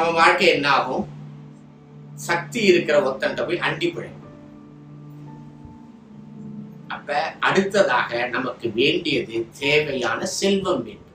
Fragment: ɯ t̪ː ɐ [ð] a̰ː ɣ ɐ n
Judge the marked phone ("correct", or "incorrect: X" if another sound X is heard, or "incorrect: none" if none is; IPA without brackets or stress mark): correct